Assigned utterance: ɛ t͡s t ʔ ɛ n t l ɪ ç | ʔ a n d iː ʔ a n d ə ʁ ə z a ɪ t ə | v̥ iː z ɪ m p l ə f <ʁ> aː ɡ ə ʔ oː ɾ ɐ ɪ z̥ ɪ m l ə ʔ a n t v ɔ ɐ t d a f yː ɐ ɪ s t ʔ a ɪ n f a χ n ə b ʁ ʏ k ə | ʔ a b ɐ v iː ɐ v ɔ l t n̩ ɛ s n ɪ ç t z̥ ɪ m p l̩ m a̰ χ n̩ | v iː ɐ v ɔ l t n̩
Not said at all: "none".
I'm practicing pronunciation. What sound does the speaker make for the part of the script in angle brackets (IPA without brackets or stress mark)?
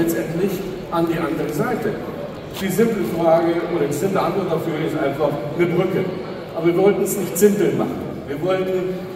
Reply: ʁ